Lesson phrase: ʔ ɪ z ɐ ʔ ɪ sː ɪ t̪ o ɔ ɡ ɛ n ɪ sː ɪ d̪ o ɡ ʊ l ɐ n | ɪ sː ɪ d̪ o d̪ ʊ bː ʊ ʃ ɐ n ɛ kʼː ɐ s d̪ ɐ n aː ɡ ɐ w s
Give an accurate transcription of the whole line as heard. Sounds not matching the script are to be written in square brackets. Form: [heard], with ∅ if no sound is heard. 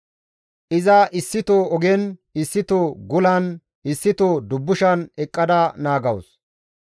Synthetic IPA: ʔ ɪ z ɐ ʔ ɪ sː ɪ t̪ o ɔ ɡ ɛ n ɪ sː ɪ [t̪] o ɡ ʊ l ɐ n | ɪ sː ɪ [t̪] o d̪ ʊ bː ʊ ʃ ɐ n ɛ kʼː ɐ [∅] d̪ ɐ n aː ɡ ɐ w s